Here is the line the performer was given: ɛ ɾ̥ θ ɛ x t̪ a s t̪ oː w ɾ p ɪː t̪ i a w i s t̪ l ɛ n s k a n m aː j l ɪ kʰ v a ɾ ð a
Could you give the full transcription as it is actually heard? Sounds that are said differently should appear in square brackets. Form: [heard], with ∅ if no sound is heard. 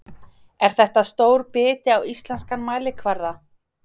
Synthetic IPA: ɛ ɾ̥ θ ɛ [h] t̪ a s t̪ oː w ɾ p ɪː t̪ [ɪ] a w i s t̪ l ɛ n s k a n m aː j l ɪ kʰ v a ɾ ð a